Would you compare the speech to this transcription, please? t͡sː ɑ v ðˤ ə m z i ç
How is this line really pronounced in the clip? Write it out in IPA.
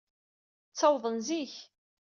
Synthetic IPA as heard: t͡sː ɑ w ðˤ ə n z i ç

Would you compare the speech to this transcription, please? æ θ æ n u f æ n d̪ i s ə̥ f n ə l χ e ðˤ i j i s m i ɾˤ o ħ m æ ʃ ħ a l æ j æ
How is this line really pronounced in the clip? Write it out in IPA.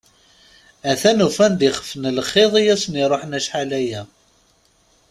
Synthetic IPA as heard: æ θ æ n u f æ n d̪ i χ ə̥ f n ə l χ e ðˤ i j æ s n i ɾˤ o ħ n æ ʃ ħ a l æ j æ

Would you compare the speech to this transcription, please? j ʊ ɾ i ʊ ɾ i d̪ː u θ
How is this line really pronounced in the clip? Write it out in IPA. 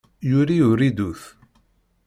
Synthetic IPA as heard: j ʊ ɾ i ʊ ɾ i d̪ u θ

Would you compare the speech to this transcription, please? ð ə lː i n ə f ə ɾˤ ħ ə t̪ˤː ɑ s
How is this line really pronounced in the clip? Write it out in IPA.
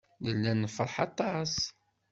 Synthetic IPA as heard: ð ə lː æ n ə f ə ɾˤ ħ ɑ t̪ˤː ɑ s

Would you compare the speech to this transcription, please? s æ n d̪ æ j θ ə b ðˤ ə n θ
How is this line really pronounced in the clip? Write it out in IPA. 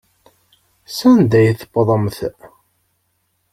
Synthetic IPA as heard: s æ n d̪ æ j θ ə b ðˤ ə m θ

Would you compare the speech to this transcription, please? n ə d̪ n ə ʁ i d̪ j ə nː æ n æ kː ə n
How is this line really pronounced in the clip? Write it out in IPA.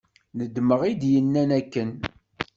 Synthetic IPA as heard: n ə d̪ m ə ʁ i d̪ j ə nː æ n æ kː ə n

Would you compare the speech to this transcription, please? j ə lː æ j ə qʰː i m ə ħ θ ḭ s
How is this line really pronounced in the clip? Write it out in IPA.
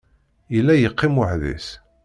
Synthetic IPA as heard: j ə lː æ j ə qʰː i m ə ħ ð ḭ s

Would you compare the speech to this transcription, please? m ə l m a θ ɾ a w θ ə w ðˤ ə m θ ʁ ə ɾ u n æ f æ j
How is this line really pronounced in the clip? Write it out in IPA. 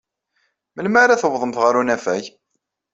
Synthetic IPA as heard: m ə l m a ɾ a θ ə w ðˤ ə m θ ʁ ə ɾ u n æ f æ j

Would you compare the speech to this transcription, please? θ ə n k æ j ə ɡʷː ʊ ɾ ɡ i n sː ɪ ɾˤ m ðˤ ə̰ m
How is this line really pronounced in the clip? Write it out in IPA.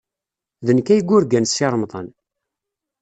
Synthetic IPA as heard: ð ə n k æ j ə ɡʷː ʊ ɾ ɡ æ n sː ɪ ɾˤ m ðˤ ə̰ n

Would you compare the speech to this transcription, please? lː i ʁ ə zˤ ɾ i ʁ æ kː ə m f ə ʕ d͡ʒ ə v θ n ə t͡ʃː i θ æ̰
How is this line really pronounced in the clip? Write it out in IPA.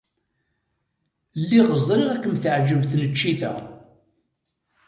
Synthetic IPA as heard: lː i ʁ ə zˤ ɾ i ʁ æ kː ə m θ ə ʕ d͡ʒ ə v θ n ə t͡ʃː i θ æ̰

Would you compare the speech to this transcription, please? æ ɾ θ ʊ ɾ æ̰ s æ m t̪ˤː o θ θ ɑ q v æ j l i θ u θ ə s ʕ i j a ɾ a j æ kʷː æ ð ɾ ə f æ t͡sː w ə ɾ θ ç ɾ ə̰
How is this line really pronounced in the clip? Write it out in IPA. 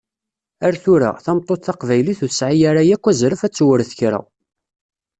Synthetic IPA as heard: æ ɾ θ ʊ ɾ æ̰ θ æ m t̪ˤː o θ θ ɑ q v æ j l i θ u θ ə s ʕ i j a ɾ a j æ kʷː æ z ɾ ə f æ t͡sː w ə ɾ θ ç ɾ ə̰

